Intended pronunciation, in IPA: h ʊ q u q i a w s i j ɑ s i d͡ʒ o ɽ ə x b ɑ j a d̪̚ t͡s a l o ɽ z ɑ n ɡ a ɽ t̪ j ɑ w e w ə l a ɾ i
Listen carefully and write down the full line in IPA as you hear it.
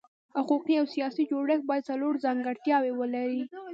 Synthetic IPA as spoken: h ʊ q u q i a w s i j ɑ s i d͡ʒ o ɽ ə x b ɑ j a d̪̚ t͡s a l o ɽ z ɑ ŋ ɡ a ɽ t̪ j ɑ w e w ə l a ɾ i